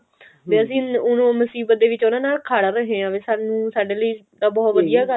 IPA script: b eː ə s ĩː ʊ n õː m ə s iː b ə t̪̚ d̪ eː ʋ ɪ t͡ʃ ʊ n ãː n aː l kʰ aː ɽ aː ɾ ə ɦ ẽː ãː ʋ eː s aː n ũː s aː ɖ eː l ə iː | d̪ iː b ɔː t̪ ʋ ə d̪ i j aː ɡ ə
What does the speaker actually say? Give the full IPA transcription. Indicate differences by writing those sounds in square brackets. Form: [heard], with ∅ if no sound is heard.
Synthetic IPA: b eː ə s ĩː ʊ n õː m ə s iː b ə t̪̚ d̪ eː ʋ ɪ t͡ʃ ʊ n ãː n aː l kʰ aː ɽ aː ɾ ə ɦ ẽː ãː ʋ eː s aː n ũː s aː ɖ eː l ə iː | d̪ [aː] b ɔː t̪ ʋ ə d̪ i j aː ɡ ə